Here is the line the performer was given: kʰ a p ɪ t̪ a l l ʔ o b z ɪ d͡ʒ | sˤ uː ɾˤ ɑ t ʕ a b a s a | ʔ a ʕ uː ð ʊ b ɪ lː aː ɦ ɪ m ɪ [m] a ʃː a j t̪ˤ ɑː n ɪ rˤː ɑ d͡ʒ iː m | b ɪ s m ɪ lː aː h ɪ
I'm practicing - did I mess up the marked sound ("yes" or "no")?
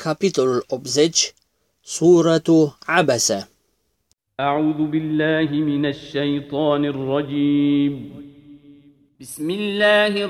yes